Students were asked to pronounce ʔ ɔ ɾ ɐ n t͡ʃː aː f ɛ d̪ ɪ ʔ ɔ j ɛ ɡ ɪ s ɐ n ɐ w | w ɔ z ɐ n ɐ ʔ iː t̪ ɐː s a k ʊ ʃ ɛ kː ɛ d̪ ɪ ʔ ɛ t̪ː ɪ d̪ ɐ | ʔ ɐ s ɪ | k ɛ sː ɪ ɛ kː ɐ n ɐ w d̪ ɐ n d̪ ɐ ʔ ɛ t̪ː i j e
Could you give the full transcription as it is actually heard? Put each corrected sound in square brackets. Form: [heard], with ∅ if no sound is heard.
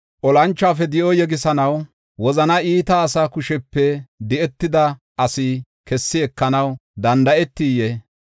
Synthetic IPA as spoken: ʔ ɔ [l] ɐ n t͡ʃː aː f ɛ d̪ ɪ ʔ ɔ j ɛ ɡ ɪ s ɐ n ɐ w | w ɔ z ɐ n ɐ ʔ iː t̪ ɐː s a k ʊ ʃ ɛ [pː] ɛ d̪ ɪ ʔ ɛ t̪ː ɪ d̪ ɐ | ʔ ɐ s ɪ | k ɛ sː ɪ ɛ kː ɐ n ɐ w d̪ ɐ n d̪ ɐ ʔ ɛ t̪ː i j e